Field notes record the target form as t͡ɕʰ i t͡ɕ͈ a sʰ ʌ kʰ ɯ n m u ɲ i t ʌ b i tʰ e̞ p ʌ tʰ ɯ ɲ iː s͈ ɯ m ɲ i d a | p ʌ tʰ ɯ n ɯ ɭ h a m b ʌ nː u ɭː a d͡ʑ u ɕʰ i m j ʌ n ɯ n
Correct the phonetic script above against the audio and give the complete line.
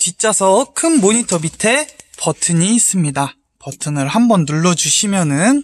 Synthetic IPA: t͡ɕ i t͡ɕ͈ a sʰ ʌ kʰ ɯ n m o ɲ i tʰ ʌ b i tʰ e̞ p ʌ tʰ ɯ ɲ iː s͈ ɯ m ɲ i d a | p ʌ tʰ ɯ n ɯ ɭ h a m b ʌ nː u ɭː ʌ d͡ʑ u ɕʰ i m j ʌ n ɯ n